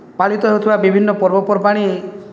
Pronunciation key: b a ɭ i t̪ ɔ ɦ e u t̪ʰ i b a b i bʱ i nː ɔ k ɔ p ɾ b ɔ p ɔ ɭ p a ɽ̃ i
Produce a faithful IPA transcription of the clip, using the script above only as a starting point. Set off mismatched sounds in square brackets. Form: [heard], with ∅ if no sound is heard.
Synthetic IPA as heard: [p] a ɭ i t̪ ɔ ɦ e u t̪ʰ i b a b i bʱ i nː ɔ [p] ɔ [∅] ɾ b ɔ p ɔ [ɾ] p a ɽ̃ i